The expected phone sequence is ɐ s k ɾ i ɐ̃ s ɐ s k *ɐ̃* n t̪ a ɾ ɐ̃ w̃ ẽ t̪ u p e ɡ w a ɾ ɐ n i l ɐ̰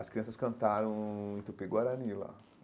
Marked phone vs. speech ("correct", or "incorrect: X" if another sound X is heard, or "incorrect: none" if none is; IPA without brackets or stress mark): correct